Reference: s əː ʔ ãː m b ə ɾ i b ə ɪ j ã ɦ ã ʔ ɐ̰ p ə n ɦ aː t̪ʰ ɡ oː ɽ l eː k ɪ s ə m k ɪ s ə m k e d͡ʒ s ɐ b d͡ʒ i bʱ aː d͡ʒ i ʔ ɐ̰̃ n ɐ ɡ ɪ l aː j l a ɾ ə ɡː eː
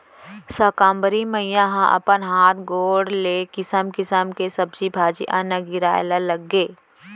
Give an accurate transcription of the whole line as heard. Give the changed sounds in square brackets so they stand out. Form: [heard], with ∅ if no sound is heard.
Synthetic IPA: s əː [k] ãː m b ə ɾ i [m] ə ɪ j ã ɦ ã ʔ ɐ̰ p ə n ɦ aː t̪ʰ ɡ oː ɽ l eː k ɪ s ə m k ɪ s ə m k e [∅] s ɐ b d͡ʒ i bʱ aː d͡ʒ i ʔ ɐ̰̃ n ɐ ɡ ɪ [ɾ] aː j l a [l] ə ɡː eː